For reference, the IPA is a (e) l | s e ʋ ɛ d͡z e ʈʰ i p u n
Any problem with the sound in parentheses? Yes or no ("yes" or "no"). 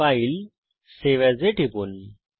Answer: yes